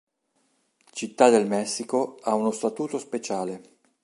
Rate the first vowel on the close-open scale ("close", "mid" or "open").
close